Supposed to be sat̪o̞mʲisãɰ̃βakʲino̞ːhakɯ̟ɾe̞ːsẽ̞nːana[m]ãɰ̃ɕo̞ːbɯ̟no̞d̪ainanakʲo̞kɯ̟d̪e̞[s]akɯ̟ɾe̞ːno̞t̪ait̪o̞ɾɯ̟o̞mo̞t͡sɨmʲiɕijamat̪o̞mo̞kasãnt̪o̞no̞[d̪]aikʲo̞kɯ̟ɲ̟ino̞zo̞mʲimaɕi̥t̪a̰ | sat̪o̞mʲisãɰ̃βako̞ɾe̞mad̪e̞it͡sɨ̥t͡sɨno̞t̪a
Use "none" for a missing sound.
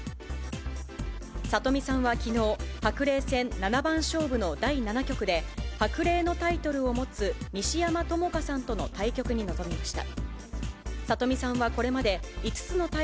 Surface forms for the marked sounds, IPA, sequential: b, h, t̪

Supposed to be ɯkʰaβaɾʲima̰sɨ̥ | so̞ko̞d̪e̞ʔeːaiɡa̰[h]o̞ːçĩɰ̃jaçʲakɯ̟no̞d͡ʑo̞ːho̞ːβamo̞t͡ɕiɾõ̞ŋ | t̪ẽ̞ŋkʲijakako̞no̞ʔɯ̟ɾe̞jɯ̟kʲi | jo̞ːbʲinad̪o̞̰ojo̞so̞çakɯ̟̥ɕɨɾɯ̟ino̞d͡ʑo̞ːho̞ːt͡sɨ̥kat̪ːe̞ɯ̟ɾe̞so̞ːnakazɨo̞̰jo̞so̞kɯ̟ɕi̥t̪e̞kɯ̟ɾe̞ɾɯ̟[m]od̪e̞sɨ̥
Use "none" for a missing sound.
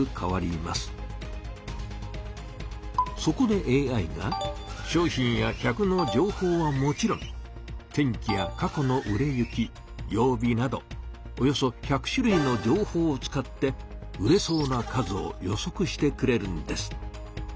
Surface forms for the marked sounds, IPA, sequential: ɕ, n

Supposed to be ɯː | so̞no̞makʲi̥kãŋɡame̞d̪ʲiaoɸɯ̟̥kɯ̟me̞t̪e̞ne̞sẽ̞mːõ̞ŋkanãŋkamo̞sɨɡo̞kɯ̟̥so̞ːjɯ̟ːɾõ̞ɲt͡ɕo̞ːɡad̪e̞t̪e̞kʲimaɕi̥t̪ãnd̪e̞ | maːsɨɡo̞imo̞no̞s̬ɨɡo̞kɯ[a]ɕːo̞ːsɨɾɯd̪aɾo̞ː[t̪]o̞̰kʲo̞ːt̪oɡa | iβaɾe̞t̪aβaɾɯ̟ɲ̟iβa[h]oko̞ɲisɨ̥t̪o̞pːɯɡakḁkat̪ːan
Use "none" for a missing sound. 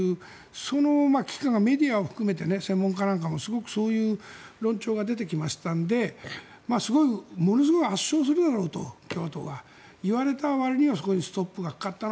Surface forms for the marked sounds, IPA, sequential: a, t̪, s

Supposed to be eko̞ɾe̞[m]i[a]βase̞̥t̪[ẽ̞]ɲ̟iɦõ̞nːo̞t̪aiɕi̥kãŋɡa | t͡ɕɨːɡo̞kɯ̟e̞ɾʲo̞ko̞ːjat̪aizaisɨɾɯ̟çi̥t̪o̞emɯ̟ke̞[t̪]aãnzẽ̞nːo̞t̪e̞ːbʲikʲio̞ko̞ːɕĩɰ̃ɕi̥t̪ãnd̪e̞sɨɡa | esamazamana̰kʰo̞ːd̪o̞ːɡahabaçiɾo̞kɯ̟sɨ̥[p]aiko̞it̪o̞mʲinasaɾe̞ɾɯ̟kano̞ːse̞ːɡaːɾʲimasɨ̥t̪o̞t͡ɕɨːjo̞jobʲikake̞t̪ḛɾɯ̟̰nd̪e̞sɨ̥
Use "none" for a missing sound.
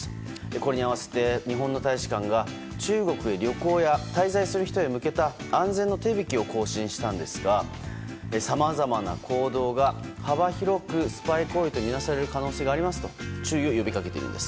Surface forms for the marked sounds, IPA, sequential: ɲ, a, e̞, t̪, p

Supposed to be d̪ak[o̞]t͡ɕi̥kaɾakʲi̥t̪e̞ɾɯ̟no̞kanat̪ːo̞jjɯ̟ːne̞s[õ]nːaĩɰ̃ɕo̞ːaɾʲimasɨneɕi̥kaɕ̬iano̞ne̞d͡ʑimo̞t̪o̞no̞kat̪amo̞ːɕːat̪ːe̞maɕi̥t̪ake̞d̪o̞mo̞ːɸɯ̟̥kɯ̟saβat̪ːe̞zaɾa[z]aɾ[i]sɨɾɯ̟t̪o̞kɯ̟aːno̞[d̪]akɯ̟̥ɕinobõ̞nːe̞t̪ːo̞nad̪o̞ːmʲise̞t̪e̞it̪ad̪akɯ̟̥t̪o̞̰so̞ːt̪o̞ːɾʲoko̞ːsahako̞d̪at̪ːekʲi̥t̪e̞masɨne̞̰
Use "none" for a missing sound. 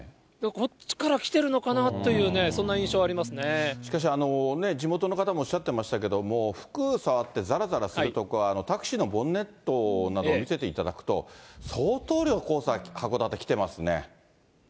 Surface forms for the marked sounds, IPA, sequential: o̞, õ, z, a, t̪

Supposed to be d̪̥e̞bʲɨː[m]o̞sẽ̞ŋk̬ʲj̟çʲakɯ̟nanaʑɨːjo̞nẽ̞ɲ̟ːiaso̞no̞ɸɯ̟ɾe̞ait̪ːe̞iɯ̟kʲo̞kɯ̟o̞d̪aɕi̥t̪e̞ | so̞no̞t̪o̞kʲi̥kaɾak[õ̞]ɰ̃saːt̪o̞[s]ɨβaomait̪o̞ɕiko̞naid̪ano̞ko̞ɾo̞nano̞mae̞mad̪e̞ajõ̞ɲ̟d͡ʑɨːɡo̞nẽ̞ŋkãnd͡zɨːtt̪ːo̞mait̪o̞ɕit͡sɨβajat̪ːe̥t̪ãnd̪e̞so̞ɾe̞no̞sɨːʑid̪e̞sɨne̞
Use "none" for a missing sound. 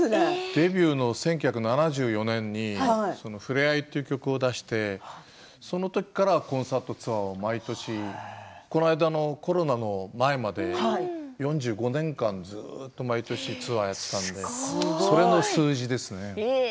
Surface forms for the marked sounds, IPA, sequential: n, õ̞, t͡s

